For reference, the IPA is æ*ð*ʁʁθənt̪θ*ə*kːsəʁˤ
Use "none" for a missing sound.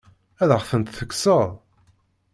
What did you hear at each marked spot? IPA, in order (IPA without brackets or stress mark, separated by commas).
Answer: ð, ə